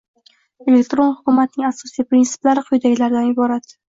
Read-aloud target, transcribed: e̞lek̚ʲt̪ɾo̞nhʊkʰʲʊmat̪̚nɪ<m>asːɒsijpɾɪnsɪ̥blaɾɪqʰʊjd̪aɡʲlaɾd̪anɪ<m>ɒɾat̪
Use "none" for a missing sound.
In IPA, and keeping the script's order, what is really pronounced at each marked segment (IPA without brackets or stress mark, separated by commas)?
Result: ŋ, b